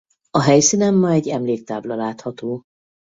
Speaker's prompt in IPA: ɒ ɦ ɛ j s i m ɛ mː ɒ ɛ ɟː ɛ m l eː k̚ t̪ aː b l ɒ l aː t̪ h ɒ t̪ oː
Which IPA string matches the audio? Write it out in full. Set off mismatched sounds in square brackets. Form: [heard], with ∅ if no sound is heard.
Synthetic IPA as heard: ɒ ɦ ɛ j s i [n] ɛ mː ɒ ɛ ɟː ɛ m l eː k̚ t̪ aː b l ɒ l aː t̪ h ɒ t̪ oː